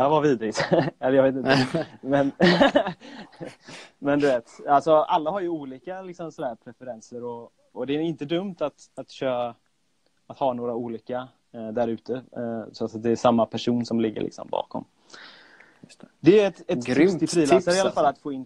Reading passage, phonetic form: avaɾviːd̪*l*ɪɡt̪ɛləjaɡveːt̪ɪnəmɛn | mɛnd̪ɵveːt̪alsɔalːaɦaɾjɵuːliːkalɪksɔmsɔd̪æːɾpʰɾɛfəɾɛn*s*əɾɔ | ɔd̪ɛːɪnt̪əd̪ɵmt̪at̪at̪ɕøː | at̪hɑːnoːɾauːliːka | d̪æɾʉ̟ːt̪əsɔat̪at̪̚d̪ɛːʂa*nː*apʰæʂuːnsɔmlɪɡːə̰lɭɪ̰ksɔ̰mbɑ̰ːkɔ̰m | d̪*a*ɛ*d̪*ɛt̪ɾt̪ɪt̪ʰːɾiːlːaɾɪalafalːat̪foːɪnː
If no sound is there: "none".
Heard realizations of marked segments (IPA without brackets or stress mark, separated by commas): ɾ, s, mː, ɛ, t̪